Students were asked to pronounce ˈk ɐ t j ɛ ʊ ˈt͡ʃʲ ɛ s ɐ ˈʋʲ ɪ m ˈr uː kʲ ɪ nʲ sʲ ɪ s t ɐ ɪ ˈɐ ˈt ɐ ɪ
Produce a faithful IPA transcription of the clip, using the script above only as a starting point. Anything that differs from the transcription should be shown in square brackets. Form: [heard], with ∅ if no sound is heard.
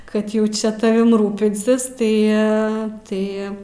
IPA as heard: ˈk ɐ t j ɛ ʊ ˈt͡ʃʲ ɛ [t] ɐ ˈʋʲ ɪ m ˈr uː [pʲ] ɪ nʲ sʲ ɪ s t ɐ ɪ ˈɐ ˈt ɐ ɪ